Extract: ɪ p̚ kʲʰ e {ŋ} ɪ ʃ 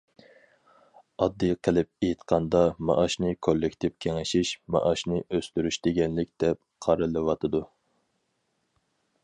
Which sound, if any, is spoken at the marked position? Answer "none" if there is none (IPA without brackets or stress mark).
ŋ